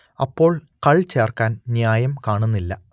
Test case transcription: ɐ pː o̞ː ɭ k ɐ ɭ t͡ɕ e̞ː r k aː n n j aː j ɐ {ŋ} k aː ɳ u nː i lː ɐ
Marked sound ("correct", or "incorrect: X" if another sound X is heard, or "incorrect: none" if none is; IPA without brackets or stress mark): incorrect: m